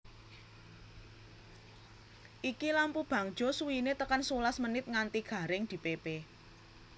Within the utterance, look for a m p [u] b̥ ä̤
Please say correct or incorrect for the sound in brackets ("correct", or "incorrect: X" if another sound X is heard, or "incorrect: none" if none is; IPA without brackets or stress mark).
correct